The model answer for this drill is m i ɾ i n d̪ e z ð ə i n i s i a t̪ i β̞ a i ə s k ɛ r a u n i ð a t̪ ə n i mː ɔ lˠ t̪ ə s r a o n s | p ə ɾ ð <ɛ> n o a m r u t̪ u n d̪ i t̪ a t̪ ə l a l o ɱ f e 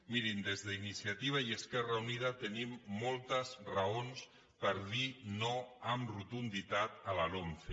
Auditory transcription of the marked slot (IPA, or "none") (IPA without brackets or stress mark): i